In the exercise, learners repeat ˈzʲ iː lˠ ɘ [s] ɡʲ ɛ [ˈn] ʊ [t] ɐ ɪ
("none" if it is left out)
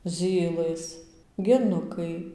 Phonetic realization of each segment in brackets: s, n, k

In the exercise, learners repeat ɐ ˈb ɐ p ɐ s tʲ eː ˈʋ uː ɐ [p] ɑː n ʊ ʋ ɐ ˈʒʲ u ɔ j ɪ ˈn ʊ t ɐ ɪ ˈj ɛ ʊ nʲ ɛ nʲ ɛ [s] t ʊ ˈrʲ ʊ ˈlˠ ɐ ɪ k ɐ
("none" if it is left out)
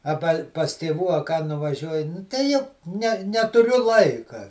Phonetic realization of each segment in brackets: k, none

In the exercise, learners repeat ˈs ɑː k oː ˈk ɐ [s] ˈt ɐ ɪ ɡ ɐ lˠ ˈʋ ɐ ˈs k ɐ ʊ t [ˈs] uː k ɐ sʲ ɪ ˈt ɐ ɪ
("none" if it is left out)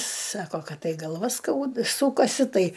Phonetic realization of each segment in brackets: t, s

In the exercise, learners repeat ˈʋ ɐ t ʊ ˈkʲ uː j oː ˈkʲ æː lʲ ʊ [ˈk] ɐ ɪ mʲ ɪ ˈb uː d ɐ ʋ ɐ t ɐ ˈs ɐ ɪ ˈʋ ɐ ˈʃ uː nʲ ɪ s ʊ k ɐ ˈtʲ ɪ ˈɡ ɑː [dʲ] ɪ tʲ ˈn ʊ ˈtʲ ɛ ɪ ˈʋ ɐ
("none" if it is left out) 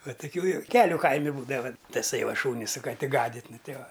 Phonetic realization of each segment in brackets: k, dʲ

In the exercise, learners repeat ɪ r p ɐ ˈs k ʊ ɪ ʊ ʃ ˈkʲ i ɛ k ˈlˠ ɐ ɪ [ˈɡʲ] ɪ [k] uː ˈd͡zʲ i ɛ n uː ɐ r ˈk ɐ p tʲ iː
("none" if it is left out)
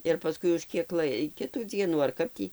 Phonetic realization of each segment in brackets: kʲ, t

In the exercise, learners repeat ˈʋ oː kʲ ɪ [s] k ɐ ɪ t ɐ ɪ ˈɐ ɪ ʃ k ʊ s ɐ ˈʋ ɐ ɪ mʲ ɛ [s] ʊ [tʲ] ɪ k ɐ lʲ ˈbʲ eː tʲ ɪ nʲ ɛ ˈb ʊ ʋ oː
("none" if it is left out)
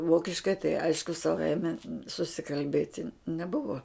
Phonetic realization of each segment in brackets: ʃ, s, sʲ

